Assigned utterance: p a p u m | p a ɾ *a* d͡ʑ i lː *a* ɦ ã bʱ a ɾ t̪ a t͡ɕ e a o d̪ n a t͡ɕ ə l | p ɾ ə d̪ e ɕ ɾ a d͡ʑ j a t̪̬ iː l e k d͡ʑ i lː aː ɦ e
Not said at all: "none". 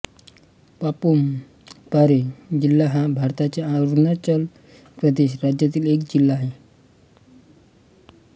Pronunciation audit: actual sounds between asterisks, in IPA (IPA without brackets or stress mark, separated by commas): e, a